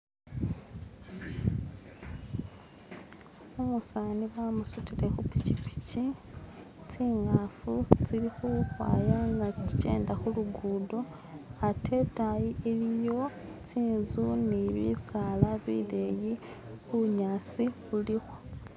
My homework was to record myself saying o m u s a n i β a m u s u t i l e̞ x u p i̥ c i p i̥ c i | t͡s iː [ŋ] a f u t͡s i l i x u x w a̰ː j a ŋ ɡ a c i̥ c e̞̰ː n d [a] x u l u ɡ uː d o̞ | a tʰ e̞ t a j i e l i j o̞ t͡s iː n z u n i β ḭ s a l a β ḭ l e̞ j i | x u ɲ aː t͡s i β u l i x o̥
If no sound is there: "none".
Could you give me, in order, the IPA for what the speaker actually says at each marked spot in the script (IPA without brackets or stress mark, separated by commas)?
ŋ, a